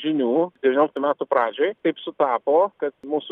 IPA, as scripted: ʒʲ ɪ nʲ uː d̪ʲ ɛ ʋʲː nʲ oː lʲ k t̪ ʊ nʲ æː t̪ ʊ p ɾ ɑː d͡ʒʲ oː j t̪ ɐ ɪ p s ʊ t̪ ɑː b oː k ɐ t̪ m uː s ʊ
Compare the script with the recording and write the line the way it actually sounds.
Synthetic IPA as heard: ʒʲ ɪ nʲ uː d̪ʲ ɛ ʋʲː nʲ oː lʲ k t̪ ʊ mʲ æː t̪ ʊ p ɾ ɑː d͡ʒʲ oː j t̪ ɐ ɪ p s ʊ t̪ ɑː p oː k ɐ t̪ m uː s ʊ